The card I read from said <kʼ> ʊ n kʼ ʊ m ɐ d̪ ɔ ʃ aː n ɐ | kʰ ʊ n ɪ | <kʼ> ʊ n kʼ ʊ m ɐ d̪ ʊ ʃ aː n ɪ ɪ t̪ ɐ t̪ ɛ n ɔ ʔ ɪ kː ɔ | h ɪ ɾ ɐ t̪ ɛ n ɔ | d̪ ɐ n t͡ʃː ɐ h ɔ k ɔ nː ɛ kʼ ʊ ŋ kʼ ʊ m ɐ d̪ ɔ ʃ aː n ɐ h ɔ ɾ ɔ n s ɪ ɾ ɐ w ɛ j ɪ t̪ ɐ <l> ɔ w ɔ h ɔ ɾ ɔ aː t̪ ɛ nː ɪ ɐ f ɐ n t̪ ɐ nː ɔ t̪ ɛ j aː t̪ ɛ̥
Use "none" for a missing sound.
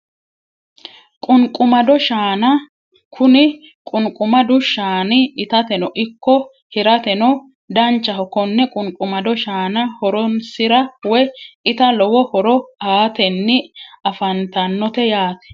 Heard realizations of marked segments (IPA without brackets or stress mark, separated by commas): kʼ, kʼ, l